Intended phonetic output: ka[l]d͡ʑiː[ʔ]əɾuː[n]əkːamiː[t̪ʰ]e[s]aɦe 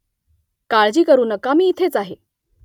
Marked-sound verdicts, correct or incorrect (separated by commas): incorrect, incorrect, correct, correct, incorrect